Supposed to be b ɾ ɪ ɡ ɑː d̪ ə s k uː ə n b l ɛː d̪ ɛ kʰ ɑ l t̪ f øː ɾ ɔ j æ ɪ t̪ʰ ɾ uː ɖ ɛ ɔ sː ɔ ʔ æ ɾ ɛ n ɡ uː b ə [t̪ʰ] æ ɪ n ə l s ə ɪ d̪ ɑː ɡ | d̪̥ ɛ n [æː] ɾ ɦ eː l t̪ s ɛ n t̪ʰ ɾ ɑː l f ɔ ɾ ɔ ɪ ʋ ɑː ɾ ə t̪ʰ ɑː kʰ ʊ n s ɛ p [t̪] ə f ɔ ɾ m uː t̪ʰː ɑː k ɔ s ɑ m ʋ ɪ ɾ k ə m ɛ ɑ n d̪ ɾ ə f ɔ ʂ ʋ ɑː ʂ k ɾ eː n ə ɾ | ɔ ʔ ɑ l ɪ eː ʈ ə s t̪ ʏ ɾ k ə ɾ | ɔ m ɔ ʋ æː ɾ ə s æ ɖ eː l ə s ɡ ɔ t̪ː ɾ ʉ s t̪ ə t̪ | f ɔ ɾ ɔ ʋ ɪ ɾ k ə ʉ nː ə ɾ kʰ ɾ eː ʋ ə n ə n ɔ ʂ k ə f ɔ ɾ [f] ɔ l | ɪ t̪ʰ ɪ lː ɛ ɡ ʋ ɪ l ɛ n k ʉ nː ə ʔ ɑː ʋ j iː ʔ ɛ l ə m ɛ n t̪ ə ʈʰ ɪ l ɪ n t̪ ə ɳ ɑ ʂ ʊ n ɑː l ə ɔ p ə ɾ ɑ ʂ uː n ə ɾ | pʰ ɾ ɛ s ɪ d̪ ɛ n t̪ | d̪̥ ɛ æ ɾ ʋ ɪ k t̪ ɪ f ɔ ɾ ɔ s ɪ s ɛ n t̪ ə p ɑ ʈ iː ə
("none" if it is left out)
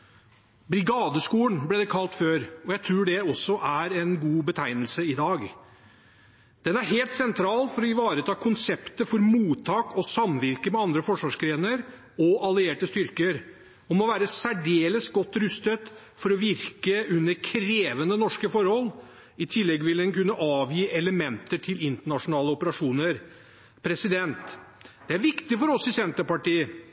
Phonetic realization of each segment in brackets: t̪ʰ, æ, t̪, h

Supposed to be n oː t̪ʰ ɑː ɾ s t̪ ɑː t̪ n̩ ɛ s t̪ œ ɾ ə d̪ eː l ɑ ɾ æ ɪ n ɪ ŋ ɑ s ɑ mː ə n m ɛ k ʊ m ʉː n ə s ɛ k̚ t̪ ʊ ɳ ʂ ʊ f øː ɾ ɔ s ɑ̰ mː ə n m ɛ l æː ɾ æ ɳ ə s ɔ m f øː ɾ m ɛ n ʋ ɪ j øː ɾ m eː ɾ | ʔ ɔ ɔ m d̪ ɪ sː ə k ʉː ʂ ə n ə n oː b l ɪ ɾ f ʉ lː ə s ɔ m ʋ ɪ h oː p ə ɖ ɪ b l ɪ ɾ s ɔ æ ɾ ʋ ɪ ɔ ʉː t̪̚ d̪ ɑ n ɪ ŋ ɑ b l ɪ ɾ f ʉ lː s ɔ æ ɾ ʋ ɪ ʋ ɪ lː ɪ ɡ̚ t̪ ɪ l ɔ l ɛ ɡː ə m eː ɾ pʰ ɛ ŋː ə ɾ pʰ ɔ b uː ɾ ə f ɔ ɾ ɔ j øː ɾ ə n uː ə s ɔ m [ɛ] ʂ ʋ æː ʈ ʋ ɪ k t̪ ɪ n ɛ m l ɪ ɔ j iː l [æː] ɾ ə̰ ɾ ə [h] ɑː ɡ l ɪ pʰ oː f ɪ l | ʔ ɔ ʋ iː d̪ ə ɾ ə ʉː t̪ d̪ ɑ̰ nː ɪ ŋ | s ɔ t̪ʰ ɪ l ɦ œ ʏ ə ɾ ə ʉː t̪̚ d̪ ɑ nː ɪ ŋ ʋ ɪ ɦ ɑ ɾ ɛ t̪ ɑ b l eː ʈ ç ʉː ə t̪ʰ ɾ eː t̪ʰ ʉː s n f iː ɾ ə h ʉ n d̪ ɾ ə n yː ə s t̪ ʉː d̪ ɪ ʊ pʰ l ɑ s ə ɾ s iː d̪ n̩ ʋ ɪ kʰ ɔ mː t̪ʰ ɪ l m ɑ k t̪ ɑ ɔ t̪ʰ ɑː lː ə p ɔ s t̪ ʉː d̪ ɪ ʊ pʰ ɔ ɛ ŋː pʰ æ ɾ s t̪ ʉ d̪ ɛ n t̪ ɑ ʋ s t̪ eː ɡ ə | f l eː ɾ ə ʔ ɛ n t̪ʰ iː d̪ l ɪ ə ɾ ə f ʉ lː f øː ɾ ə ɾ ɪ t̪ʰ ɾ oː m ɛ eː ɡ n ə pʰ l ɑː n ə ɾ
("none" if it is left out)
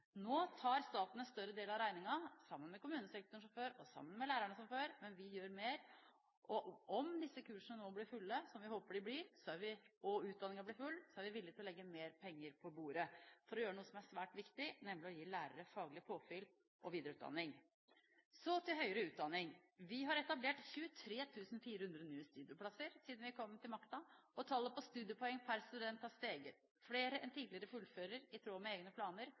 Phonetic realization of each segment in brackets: æ, æː, f

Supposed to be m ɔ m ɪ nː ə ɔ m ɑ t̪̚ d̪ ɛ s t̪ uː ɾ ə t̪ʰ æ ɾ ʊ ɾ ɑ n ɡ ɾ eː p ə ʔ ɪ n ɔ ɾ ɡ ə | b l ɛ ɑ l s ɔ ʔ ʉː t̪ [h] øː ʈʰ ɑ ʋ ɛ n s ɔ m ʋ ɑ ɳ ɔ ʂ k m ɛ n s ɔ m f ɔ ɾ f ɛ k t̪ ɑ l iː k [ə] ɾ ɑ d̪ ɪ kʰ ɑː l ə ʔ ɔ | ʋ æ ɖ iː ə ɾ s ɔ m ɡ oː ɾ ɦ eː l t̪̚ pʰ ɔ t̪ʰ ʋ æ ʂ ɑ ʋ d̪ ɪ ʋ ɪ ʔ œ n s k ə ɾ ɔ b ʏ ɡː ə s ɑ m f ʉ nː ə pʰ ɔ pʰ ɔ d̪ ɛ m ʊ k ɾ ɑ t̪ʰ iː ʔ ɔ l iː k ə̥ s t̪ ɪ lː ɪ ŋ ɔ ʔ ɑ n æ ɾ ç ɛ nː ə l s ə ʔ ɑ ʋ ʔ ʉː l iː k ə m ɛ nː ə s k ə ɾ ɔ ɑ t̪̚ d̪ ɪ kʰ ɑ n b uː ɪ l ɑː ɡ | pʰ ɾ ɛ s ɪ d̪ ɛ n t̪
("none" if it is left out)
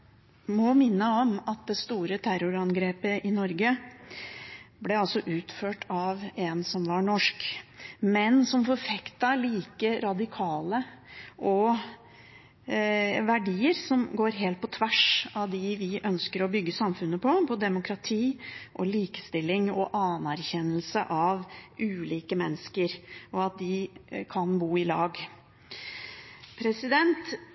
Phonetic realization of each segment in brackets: f, ə

